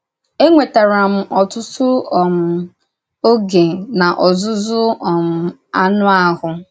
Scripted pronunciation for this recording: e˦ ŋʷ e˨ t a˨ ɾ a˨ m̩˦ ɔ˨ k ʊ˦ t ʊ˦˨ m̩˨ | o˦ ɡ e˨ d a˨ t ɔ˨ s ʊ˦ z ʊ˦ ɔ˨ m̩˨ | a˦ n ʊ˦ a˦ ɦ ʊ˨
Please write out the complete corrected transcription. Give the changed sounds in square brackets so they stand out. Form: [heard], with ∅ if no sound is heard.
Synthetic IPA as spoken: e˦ ŋʷ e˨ t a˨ ɾ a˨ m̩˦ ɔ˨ [t] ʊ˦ t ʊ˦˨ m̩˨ | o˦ ɡ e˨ [n] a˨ [ʔ] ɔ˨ [z] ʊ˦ z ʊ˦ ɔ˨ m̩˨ | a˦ n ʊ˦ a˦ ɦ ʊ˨